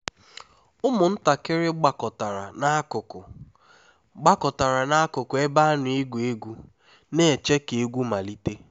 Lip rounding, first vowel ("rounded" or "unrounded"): rounded